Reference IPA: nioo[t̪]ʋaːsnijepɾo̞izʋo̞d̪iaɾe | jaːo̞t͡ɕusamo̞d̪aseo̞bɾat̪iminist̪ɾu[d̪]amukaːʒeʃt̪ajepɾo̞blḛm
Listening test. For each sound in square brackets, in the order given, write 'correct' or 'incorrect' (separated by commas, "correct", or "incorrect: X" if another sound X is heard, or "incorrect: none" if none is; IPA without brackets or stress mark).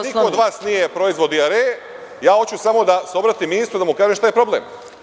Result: incorrect: d̪, correct